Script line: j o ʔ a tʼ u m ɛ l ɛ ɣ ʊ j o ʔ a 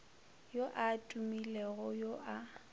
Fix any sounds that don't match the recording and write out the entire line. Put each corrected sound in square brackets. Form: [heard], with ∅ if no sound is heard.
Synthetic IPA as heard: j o ʔ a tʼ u m [i] l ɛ ɣ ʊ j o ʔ a